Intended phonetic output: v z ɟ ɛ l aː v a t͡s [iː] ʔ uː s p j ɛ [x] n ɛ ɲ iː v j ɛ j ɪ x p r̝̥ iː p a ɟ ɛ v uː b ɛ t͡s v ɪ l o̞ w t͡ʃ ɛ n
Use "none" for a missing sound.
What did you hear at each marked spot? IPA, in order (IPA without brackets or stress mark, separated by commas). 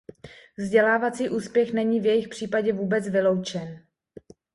iː, x